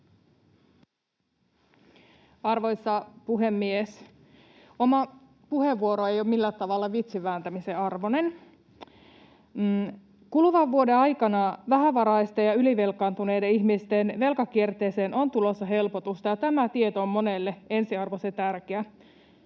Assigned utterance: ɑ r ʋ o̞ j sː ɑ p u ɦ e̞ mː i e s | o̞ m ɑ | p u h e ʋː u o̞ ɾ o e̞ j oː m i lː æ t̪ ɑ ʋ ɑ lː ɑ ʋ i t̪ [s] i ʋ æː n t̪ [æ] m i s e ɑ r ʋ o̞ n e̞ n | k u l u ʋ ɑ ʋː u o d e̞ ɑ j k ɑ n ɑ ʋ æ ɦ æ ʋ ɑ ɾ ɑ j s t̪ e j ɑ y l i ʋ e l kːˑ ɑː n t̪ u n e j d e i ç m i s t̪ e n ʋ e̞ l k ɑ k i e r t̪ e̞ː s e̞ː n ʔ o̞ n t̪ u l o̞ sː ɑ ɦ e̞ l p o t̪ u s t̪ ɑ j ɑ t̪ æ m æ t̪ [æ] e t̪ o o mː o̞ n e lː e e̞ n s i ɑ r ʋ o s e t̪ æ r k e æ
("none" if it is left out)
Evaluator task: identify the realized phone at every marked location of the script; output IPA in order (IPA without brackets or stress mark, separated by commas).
s, æ, i